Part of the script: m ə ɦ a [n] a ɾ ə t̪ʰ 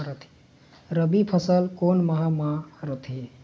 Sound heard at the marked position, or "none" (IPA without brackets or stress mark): m